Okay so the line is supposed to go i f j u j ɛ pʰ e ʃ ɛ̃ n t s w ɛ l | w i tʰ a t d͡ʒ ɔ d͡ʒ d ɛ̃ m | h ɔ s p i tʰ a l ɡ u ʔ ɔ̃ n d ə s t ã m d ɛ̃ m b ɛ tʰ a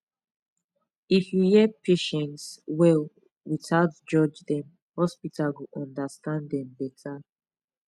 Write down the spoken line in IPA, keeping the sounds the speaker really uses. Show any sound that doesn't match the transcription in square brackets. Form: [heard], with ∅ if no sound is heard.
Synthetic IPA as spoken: i f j u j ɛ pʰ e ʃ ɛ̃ n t s w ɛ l | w i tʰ a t d͡ʒ ɔ d͡ʒ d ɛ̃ m | h ɔ s p i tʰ a l ɡ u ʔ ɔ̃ n d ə s t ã [n] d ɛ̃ m b ɛ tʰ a